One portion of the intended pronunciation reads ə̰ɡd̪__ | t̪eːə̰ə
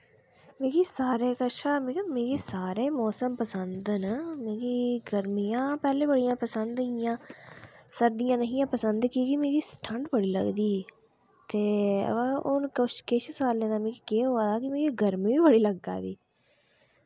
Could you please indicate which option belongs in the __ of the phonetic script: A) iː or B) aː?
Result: A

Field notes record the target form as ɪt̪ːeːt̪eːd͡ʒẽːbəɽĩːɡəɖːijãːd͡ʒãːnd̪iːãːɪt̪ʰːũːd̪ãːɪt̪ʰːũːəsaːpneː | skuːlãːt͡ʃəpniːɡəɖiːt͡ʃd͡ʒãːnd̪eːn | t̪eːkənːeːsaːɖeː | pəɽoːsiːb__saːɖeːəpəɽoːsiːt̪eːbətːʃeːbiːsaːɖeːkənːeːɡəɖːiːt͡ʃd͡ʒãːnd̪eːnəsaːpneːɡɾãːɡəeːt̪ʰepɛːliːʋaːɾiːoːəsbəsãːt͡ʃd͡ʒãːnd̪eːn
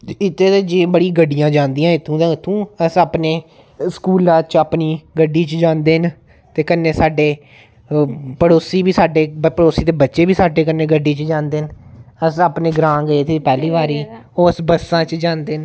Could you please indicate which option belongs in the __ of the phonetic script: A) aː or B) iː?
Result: B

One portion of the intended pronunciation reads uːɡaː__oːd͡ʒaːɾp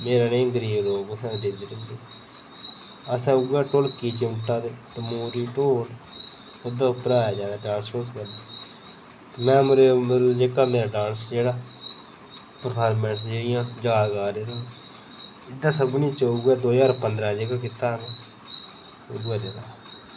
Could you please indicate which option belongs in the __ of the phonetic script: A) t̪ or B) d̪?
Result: B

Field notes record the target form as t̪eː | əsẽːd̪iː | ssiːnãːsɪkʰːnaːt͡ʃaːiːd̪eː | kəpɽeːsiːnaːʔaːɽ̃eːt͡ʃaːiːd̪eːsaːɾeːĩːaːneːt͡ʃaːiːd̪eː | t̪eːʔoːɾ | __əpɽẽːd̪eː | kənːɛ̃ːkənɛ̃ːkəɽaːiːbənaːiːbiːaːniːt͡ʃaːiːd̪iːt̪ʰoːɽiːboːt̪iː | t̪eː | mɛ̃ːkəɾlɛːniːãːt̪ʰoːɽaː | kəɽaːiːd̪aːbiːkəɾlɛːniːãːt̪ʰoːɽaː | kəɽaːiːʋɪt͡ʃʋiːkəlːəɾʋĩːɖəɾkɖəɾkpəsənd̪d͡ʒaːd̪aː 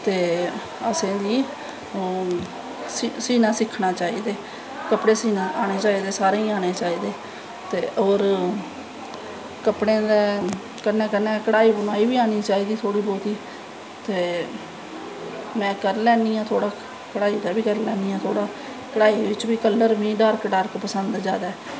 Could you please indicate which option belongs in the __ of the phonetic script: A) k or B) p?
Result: A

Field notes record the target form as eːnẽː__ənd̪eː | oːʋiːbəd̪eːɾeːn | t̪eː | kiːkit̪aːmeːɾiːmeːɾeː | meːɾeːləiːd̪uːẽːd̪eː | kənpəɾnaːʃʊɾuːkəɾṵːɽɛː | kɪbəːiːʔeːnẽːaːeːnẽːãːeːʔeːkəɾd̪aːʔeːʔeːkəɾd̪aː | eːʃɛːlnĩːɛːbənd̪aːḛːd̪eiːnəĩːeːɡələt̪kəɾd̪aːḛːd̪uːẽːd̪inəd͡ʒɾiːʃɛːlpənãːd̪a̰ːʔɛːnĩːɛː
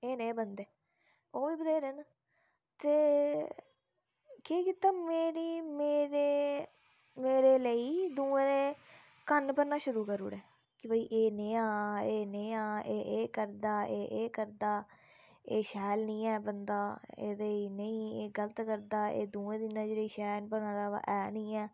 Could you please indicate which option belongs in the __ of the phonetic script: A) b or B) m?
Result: A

